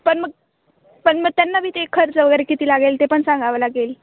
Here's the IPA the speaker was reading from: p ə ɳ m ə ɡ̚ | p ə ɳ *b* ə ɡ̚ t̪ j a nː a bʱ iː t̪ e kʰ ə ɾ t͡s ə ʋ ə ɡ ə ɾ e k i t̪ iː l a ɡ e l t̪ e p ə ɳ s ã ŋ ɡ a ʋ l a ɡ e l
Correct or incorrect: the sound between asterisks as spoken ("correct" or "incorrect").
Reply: incorrect